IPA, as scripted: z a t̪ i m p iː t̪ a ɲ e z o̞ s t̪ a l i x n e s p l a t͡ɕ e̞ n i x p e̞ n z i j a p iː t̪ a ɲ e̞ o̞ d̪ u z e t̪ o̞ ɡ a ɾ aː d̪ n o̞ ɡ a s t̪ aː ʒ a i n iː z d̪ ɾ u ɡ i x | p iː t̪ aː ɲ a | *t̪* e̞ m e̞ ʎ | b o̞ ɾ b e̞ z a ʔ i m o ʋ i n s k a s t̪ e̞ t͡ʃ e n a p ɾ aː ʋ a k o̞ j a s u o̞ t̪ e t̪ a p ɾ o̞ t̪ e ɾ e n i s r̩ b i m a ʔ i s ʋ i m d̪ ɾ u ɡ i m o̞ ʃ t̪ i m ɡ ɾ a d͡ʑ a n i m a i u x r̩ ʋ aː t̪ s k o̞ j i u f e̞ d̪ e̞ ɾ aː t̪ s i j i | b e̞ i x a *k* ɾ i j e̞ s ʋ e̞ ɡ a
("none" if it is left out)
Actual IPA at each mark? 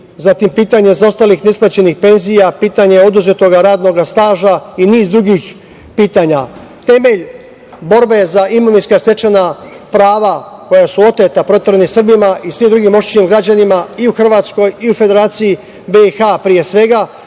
t̪, p

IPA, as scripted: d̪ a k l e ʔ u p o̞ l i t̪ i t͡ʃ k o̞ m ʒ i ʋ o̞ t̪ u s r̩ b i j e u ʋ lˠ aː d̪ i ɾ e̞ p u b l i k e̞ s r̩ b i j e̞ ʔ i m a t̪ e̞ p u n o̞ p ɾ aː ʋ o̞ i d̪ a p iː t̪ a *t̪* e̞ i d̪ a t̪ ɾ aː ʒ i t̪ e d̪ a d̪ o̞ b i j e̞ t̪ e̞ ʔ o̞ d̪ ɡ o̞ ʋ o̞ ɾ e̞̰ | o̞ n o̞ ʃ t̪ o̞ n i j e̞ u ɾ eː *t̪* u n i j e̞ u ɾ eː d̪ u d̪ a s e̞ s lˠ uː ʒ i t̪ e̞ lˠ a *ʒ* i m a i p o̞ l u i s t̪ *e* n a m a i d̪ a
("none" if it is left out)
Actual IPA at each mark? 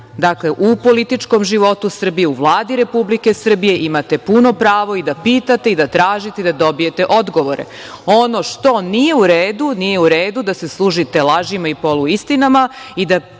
t̪, d̪, ʒ, i

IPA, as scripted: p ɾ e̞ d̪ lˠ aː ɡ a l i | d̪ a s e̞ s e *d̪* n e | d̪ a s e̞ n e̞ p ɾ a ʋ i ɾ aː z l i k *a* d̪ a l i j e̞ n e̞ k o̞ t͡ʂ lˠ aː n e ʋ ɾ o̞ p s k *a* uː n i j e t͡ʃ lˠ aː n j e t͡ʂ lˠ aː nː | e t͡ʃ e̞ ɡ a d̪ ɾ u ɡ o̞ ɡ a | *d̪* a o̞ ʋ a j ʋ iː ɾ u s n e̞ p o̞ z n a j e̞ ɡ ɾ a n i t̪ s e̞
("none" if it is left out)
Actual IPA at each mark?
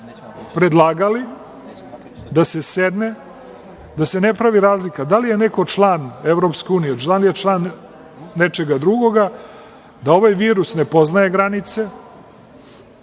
d̪, a, e, d̪

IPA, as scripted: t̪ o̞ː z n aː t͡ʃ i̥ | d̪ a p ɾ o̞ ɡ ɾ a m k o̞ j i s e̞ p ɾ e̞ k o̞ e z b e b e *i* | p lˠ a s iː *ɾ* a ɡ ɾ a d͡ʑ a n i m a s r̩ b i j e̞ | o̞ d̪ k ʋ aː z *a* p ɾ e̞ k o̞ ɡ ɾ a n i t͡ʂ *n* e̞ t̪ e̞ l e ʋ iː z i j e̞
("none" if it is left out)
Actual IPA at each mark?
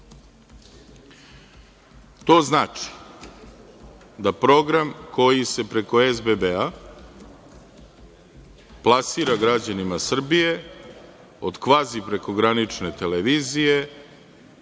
a, ɾ, i, n

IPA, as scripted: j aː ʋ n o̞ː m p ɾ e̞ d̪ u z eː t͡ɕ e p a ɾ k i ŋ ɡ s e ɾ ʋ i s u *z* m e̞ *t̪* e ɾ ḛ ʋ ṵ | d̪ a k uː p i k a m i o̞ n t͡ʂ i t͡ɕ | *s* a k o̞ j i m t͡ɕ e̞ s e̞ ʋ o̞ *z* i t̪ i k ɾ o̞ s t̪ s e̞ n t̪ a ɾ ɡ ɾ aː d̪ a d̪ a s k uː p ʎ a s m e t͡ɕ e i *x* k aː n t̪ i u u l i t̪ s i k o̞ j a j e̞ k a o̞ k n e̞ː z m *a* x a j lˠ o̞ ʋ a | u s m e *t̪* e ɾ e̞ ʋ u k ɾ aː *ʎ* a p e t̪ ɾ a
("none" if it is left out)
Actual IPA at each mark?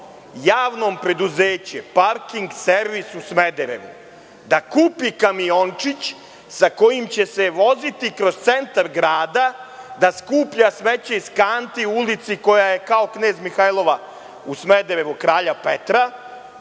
s, d̪, s, z, s, i, d̪, ʎ

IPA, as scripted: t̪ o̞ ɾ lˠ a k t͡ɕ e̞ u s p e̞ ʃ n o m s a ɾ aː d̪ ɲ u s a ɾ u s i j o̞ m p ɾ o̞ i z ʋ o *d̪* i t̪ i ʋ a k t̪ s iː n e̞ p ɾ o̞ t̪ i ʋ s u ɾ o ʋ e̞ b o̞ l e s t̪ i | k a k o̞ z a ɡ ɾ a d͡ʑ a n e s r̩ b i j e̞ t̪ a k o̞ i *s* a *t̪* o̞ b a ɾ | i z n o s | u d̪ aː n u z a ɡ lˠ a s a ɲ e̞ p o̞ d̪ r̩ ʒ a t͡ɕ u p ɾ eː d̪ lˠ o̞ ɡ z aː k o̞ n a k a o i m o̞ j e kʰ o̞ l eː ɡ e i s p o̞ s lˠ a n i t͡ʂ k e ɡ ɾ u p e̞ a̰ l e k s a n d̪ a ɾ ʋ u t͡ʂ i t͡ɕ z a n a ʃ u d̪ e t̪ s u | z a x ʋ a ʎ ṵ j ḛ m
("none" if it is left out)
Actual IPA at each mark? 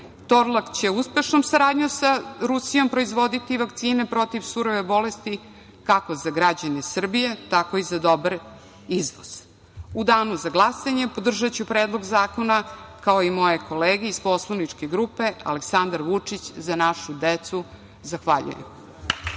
d̪, z, d̪

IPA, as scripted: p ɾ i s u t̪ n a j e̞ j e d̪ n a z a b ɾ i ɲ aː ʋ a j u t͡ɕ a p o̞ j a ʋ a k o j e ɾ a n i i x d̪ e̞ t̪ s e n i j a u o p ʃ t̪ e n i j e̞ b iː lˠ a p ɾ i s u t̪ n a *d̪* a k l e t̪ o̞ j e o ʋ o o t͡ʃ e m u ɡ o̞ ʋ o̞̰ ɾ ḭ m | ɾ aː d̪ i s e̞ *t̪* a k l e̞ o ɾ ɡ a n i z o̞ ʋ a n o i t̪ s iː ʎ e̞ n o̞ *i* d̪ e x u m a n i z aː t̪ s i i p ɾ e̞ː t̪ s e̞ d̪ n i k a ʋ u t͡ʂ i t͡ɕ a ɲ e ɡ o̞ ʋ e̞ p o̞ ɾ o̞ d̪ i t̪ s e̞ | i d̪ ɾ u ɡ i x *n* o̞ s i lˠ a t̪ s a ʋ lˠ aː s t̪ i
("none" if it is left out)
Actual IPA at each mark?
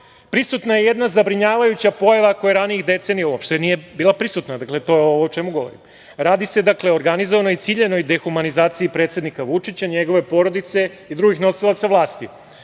d̪, d̪, j, n

